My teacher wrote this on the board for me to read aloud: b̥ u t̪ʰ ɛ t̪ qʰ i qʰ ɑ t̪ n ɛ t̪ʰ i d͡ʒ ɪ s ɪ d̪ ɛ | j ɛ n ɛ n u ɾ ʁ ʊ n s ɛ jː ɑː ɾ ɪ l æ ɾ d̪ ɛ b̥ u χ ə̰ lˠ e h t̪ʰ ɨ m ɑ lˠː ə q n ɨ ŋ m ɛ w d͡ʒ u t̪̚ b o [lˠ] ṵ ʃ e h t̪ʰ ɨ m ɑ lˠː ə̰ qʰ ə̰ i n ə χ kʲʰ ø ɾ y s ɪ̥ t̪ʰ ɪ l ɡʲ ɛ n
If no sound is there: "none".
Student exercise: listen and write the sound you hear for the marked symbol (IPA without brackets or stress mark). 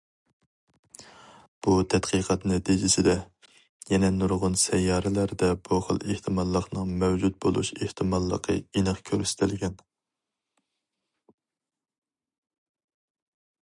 lˠ